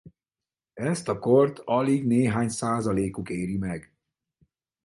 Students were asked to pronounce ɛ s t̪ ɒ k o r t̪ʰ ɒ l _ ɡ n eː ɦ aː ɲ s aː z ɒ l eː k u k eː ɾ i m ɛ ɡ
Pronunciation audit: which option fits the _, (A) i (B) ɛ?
A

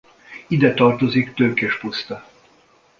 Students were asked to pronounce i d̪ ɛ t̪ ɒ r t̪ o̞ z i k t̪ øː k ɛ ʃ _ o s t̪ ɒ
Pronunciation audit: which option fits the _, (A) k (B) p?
B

